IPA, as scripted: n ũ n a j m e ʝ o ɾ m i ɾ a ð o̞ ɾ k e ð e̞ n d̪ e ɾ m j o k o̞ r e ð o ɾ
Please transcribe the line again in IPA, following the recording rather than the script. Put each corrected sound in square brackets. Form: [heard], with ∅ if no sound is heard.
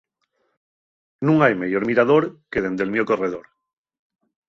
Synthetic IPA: n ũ [ŋ] a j m e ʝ o ɾ m i ɾ a ð o̞ ɾ k e ð e̞ n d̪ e [l] m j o k o̞ r e ð o ɾ